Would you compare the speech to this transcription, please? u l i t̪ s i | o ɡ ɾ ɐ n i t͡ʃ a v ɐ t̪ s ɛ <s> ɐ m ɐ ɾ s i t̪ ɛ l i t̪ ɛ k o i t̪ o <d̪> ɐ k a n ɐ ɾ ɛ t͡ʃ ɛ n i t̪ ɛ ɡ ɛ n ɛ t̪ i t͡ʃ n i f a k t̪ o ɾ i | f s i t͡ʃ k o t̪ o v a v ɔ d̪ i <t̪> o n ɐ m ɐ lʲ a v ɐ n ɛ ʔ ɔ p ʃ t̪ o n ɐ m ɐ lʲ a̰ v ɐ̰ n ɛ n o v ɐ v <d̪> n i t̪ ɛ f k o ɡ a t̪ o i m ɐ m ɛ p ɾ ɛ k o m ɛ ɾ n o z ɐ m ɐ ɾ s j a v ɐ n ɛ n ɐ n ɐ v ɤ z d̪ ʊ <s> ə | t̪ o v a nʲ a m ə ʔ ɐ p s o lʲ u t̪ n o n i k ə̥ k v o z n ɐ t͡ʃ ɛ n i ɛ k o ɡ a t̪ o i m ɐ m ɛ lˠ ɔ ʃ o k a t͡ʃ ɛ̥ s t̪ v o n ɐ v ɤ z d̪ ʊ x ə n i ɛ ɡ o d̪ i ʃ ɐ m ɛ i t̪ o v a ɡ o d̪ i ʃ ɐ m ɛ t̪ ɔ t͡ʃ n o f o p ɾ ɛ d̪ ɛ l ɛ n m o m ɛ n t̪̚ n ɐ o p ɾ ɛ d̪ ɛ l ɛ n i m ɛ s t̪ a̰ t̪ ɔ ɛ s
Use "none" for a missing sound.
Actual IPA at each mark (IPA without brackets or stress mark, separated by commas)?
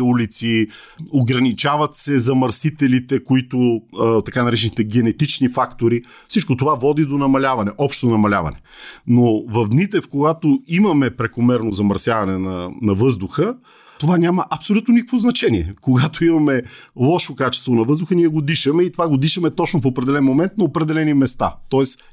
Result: z, t̪, d̪, d̪, x